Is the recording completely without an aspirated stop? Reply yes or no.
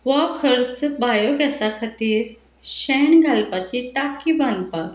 no